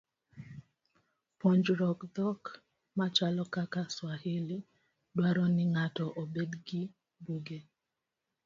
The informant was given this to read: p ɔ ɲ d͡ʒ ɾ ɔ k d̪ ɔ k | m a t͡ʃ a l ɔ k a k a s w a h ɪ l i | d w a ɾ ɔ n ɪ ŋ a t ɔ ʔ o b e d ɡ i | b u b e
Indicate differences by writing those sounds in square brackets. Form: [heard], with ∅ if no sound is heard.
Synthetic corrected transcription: p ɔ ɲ d͡ʒ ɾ ɔ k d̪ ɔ k | m a t͡ʃ a l ɔ k a k a s w a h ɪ l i | d w a ɾ ɔ n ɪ ŋ a t ɔ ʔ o b e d ɡ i | b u [ɡ] e